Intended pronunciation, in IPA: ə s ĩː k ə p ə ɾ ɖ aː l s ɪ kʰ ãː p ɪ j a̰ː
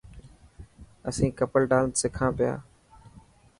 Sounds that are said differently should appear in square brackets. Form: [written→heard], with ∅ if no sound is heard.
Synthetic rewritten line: ə s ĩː k ə p ə [ɾ→l] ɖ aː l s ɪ kʰ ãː p ɪ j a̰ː